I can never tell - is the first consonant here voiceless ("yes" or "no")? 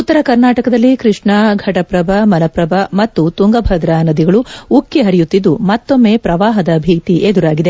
yes